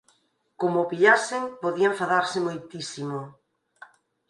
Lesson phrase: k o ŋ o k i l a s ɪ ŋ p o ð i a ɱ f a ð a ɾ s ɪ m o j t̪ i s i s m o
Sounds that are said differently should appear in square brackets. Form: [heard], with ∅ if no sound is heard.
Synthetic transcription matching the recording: k o [m] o [p] i [ʎ] a s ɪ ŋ p o ð i a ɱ f a ð a ɾ s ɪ m o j t̪ i s i [∅] m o